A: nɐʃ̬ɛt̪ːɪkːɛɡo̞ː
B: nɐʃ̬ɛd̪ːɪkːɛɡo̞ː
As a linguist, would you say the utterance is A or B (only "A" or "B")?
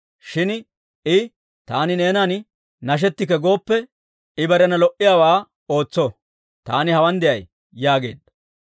A